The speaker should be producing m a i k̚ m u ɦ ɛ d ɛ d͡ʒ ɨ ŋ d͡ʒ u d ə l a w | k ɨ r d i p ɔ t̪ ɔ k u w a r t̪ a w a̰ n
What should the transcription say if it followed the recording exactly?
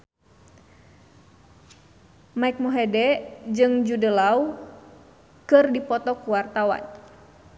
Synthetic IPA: m a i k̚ m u ɦ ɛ d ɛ d͡ʒ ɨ ŋ d͡ʒ u d ə l a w | k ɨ r d i p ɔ t̪ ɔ k u w a r t̪ a w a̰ n